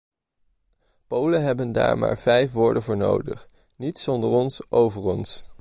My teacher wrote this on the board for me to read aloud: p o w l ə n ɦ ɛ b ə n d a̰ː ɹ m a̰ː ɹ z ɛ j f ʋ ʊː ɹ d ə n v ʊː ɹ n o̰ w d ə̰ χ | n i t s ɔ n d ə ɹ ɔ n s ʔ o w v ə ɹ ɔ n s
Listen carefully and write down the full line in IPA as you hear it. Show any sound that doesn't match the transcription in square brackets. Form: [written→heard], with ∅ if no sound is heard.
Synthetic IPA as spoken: p o w l ə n ɦ ɛ b ə n d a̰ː ɹ m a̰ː ɹ [z→v] ɛ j f ʋ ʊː ɹ d ə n v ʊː ɹ n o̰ w d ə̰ χ | n i t s ɔ n d ə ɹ ɔ n s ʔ o w v ə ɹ ɔ n s